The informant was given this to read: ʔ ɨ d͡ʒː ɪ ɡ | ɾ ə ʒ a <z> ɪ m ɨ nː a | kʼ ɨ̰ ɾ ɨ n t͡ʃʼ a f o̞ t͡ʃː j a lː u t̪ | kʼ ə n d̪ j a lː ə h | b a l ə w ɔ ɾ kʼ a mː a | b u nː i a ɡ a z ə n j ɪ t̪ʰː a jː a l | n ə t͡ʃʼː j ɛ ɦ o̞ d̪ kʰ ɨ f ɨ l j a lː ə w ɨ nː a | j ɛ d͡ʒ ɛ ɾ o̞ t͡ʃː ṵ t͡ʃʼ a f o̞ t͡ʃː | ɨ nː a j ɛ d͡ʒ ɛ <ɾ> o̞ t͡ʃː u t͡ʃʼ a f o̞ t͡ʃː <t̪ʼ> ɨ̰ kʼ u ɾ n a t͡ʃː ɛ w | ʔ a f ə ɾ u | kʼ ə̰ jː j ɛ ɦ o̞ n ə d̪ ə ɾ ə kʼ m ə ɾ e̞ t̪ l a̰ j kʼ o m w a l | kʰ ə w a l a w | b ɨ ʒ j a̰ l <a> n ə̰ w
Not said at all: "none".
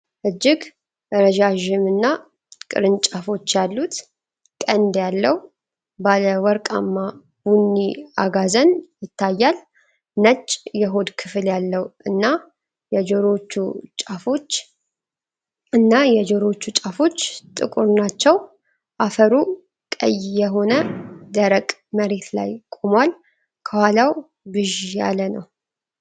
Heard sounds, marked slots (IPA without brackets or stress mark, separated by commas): ʒ, ɾ, t̪ʼ, ə